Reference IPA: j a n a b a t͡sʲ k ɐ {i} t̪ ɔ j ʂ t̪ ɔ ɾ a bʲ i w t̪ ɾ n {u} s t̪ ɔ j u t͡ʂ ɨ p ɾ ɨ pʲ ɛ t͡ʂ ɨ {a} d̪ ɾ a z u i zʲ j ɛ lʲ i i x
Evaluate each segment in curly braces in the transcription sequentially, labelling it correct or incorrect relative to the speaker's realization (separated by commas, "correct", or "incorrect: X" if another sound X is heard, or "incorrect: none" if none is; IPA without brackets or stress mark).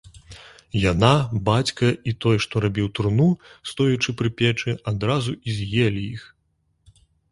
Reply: correct, correct, correct